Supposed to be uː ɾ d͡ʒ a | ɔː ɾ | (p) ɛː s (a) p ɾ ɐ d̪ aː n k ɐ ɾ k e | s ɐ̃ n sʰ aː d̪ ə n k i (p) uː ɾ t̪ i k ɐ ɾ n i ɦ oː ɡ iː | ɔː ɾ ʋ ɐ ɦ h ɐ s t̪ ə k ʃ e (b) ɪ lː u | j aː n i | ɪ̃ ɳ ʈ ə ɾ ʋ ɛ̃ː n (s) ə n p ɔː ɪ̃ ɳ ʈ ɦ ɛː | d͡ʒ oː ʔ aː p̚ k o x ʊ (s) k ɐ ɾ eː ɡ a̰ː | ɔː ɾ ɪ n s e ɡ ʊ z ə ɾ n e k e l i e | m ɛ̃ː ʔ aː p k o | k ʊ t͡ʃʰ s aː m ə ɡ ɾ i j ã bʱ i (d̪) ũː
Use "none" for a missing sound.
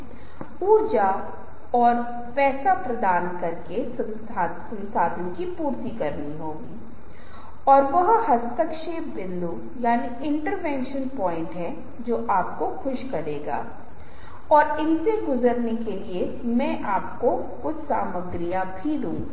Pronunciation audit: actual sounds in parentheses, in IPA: p, a, p, b, ʃ, ʃ, d̪

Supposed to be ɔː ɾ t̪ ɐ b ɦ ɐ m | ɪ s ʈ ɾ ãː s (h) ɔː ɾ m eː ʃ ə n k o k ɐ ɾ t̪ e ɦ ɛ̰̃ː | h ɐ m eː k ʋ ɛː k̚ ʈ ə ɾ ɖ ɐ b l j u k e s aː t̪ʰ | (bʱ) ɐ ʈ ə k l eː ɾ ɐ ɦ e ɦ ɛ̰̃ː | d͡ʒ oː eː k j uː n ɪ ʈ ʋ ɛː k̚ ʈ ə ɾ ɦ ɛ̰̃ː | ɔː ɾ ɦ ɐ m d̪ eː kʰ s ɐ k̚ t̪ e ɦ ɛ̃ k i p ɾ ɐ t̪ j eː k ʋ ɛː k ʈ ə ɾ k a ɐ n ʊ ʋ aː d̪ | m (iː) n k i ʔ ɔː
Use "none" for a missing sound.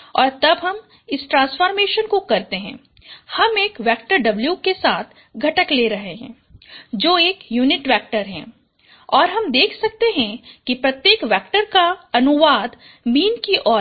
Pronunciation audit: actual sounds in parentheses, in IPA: f, ɡʱ, iː

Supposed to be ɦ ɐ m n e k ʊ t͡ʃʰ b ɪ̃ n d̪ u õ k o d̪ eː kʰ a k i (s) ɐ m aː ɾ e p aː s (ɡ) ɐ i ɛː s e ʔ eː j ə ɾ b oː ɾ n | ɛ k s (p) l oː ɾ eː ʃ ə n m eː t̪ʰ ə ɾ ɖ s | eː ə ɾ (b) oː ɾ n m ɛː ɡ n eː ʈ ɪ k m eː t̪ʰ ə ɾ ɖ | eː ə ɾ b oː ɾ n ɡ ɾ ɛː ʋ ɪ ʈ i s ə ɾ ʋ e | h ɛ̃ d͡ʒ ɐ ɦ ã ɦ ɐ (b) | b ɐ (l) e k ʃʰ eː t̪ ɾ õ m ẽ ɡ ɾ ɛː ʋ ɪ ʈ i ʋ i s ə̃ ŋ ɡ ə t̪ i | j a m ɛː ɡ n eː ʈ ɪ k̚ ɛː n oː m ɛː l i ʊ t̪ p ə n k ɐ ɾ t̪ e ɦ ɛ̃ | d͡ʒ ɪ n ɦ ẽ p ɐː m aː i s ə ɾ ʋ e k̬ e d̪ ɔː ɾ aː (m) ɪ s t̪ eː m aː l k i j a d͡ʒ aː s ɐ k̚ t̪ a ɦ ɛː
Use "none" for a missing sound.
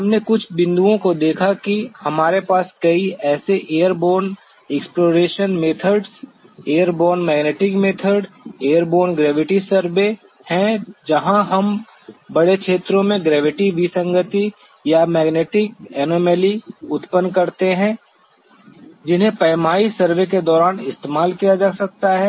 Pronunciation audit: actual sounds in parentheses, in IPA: h, k, p, b, m, ɽ, n

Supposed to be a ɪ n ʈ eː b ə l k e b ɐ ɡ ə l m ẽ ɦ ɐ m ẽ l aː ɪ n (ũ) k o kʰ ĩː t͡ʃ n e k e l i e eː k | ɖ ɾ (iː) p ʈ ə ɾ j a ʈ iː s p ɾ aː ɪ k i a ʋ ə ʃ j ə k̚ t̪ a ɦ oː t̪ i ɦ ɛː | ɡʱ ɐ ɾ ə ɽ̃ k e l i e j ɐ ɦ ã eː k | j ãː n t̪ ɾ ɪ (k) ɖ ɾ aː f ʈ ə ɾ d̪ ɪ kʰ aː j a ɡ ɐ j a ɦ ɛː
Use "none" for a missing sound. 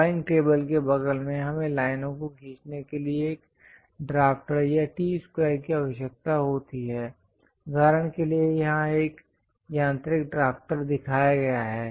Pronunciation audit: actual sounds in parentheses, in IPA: õ, aː, k

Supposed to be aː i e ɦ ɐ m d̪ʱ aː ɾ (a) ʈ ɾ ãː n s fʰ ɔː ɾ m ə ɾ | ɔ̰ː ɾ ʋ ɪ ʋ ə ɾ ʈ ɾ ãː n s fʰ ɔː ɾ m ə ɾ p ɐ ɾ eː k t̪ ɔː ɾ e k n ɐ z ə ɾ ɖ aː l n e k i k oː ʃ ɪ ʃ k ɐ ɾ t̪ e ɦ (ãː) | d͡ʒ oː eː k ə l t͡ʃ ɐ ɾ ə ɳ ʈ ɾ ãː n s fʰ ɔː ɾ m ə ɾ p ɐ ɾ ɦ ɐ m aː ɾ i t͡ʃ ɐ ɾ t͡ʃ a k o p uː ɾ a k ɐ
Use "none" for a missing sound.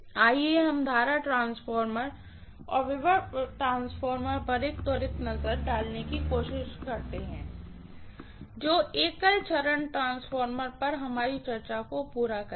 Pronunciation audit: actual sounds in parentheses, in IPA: a, ɛ̃ː

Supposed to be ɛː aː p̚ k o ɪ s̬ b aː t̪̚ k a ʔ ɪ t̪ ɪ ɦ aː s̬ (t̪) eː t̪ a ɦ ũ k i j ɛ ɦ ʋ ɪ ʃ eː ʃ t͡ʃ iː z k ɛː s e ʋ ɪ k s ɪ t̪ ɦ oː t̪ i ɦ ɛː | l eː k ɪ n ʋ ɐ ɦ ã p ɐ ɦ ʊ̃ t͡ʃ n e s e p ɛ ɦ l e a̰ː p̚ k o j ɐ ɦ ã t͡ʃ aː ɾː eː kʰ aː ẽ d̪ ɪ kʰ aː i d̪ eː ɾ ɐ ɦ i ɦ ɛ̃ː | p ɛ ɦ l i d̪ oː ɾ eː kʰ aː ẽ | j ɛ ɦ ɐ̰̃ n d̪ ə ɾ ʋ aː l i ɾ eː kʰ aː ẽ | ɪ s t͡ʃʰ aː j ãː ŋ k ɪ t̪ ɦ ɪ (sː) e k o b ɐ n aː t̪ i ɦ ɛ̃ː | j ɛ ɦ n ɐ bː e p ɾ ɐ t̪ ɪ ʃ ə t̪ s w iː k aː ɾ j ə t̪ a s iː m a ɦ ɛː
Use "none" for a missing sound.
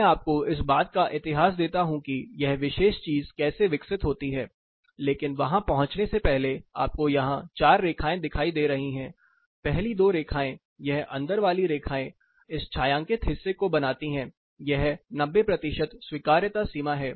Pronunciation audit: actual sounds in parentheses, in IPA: d̪, sː

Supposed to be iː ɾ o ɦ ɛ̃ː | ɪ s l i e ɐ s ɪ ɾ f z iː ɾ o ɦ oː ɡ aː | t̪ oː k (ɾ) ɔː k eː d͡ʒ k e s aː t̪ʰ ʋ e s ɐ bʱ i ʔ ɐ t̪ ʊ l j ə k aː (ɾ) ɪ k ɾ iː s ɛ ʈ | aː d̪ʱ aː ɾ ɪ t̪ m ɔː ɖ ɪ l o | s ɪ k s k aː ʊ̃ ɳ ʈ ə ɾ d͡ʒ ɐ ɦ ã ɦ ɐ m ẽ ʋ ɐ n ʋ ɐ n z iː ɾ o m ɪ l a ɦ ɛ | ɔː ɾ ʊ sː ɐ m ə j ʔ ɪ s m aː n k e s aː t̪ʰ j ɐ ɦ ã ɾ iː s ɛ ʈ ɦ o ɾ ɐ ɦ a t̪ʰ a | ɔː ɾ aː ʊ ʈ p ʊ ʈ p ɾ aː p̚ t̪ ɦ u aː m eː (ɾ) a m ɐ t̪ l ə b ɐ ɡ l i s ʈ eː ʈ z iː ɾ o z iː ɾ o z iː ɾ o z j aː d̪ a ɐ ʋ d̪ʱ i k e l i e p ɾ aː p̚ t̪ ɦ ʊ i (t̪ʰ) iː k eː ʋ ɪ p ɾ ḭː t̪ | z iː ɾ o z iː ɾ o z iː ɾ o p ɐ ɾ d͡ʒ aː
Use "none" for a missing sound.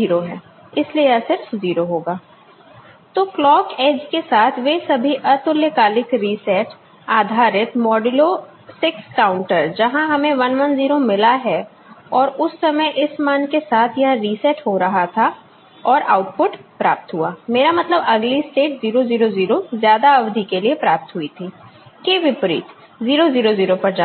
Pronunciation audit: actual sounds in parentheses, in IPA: l, l, ɾ, t̪ʰ

